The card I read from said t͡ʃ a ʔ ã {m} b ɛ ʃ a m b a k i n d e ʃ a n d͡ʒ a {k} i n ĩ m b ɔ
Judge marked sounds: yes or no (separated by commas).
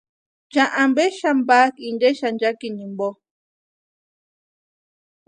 yes, yes